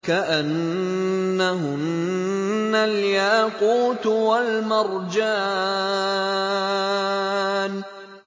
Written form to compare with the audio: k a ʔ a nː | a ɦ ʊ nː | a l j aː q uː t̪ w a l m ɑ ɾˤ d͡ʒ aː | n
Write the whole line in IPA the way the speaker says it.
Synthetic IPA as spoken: k a ʔ a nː | a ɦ ʊ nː | a l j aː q uː t̪ w a l m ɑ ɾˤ d͡ʒ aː | n